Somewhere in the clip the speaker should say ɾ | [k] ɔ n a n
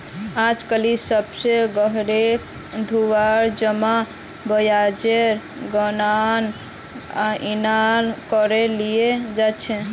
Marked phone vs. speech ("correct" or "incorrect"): incorrect